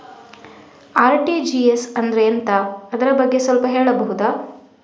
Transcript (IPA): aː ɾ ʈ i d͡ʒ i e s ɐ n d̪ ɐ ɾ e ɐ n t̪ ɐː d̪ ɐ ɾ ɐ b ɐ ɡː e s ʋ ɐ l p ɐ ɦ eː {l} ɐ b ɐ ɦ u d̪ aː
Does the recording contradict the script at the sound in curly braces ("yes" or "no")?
yes